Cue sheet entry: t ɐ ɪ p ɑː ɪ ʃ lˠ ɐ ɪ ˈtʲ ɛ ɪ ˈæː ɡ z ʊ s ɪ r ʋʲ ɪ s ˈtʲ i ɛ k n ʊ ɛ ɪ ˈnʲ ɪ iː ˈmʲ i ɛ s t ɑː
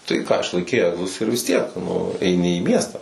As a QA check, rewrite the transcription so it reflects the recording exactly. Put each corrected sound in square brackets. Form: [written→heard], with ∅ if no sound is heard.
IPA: t ɐ ɪ [p→k] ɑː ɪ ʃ lˠ ɐ ɪ [ˈtʲ→ˈkʲ] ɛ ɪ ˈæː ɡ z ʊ s ɪ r ʋʲ ɪ s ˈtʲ i ɛ k n ʊ ɛ ɪ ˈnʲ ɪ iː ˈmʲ i ɛ s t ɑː